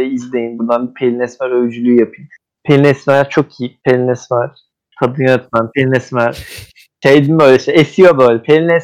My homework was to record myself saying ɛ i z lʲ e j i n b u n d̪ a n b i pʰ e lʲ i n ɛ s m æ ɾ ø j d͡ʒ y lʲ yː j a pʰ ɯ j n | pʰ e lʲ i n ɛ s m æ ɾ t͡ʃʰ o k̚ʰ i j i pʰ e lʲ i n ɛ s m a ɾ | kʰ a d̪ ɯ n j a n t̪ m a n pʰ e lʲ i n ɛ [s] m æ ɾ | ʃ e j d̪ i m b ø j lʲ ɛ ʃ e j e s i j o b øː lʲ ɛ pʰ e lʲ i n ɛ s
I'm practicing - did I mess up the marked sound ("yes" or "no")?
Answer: no